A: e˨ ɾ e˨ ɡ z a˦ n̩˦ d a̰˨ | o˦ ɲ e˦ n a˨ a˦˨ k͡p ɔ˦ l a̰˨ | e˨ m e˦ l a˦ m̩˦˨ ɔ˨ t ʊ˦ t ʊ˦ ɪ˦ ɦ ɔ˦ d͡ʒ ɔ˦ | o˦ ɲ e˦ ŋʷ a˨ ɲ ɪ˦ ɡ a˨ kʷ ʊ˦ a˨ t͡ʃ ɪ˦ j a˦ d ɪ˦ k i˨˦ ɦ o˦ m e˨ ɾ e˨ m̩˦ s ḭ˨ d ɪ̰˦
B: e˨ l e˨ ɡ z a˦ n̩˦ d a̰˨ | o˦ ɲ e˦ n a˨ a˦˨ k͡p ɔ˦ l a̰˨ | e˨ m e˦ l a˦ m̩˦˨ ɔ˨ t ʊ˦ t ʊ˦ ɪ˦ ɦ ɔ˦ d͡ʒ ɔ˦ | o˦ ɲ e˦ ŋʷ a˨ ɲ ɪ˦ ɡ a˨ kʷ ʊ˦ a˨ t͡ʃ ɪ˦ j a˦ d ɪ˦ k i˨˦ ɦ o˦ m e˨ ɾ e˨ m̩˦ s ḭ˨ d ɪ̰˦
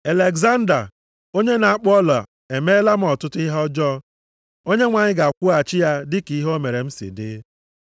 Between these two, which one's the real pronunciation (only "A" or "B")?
B